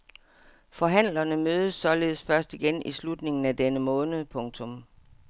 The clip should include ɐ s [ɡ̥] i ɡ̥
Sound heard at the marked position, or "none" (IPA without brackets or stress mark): d̥